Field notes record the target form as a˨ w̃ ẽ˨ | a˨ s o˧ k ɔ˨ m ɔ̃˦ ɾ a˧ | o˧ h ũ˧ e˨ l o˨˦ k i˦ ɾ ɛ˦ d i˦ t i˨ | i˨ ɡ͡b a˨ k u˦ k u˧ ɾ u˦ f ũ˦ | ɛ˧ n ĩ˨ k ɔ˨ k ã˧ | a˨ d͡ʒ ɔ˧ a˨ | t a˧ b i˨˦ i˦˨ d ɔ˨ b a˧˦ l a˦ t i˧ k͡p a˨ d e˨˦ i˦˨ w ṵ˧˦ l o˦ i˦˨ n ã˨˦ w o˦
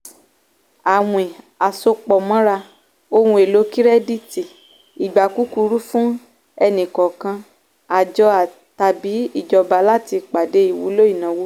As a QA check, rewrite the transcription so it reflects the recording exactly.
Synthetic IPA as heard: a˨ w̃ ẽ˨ | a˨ s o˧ k͡p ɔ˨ m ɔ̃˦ ɾ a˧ | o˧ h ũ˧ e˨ l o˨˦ k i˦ ɾ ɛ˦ d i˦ t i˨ | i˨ ɡ͡b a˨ k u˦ k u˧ ɾ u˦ f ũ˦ | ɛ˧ n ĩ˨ k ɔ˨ k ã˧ | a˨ d͡ʒ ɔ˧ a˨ | t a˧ b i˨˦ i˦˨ d͡ʒ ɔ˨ b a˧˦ l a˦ t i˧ k͡p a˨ d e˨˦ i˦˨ w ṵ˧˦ l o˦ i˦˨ n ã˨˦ w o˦